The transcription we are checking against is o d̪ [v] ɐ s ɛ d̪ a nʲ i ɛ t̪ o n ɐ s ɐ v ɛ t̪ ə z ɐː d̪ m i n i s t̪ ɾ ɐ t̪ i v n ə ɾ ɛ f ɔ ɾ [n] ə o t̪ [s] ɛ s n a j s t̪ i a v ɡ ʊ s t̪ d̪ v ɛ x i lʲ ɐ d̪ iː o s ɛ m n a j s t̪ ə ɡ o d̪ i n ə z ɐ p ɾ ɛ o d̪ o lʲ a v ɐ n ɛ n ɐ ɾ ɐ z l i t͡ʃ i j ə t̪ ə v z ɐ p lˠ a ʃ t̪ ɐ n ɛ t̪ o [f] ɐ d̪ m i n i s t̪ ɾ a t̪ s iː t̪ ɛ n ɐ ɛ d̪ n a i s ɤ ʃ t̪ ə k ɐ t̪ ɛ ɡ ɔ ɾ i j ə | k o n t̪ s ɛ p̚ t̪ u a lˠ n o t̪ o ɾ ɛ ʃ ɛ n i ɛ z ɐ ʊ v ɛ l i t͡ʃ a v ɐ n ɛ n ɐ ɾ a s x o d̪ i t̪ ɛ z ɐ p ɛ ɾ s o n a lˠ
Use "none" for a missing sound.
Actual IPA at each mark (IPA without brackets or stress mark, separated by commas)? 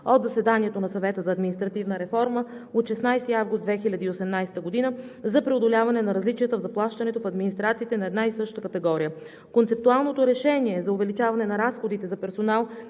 z, m, ʃ, f